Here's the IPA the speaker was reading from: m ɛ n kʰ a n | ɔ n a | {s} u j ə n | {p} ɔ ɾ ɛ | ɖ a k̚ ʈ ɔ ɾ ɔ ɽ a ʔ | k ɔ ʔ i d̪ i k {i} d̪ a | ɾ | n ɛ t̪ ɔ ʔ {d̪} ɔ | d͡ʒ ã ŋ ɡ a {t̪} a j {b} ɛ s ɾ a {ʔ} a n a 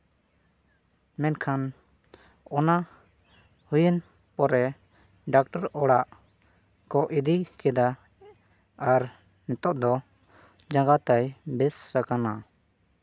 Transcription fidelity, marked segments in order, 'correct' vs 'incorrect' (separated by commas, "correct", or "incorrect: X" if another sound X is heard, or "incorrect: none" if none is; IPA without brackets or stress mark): incorrect: h, correct, incorrect: ɛ, correct, correct, correct, incorrect: k